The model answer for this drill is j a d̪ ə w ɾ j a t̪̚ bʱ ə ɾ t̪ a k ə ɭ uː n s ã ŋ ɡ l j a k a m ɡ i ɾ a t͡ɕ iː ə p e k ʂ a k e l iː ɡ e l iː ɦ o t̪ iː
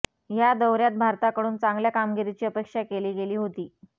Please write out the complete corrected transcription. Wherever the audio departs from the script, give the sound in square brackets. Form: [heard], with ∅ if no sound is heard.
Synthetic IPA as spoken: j a d̪ ə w ɾ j a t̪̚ bʱ [a] ɾ t̪ a k ə [ɽ] uː n [t͡s] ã ŋ ɡ l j a k a m ɡ i ɾ [i] t͡ɕ iː ə p e k ʂ a k e l iː ɡ e l iː ɦ o t̪ iː